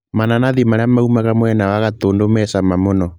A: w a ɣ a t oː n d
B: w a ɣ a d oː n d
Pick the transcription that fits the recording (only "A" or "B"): A